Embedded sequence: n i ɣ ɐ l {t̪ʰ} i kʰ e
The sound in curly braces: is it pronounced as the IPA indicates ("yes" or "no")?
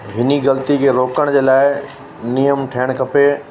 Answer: no